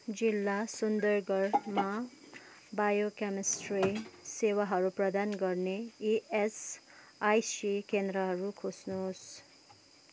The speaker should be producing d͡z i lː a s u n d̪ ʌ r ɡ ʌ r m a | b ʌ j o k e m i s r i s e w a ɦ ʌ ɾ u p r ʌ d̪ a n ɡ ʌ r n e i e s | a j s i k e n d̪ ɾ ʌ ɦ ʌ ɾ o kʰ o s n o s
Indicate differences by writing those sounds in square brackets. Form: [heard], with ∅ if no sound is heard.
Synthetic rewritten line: d͡z i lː a s u n d̪ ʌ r ɡ ʌ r m a | b [a] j o k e m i s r i s e w a ɦ ʌ ɾ u p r ʌ d̪ a n ɡ ʌ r n e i e s | a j s i k e n d̪ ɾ ʌ ɦ ʌ ɾ [u] kʰ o s n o s